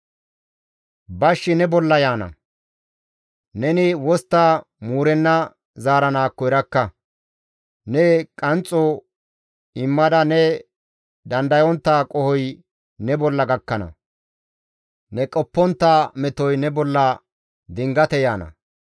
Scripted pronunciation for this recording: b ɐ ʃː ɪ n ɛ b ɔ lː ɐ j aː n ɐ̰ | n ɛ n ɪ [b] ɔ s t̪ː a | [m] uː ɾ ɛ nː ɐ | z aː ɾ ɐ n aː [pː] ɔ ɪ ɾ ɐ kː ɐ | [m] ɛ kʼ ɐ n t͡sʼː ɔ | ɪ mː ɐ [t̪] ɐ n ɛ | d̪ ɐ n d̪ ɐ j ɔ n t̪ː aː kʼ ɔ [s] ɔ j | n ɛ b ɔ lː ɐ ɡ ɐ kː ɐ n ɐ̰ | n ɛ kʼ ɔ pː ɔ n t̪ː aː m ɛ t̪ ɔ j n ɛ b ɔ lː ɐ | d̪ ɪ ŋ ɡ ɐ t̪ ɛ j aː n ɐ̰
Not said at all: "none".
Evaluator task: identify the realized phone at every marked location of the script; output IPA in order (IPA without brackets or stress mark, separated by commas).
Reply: w, m, kː, n, d̪, h